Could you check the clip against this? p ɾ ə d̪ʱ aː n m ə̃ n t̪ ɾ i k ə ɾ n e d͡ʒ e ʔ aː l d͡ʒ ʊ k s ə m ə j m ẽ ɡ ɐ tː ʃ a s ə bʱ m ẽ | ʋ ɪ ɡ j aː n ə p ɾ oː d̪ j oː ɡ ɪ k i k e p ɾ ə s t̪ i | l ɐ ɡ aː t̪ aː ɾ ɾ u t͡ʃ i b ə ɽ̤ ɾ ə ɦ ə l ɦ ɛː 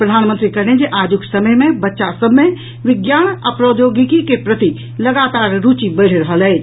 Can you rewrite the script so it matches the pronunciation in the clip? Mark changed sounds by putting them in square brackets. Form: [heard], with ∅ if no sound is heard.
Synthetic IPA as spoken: p ɾ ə d̪ʱ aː n m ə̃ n t̪ ɾ i k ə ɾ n e d͡ʒ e ʔ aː [∅] d͡ʒ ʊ k s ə m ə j m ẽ [b] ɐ tː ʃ a s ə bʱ m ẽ | ʋ ɪ ɡ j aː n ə p ɾ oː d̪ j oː ɡ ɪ k i k e p ɾ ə [∅] t̪ i | l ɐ ɡ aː t̪ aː ɾ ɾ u t͡ʃ i b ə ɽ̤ ɾ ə ɦ ə l ɦ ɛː